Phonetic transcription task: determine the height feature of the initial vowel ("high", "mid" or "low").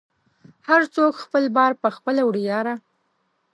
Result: low